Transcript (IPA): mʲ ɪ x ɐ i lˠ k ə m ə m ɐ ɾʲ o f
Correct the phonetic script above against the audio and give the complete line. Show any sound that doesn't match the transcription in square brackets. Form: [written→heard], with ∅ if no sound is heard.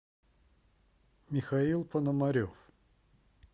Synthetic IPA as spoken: mʲ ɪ x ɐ i lˠ [k→p] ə [m→n] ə m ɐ ɾʲ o f